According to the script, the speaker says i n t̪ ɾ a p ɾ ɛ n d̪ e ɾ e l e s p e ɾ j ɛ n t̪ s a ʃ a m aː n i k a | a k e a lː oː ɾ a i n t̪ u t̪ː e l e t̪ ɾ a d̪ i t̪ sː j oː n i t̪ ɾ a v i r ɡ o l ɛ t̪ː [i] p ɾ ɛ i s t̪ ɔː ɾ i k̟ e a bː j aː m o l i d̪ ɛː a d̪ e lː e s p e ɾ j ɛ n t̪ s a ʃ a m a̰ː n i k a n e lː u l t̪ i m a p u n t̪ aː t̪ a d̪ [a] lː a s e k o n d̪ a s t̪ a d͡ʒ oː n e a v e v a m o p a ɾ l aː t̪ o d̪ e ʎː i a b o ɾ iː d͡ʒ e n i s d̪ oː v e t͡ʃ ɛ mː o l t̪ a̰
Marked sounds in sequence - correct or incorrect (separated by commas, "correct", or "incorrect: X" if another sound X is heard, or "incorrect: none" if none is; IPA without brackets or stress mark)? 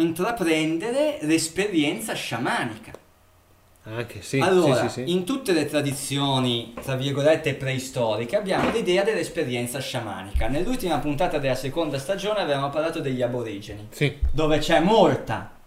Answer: incorrect: e, incorrect: e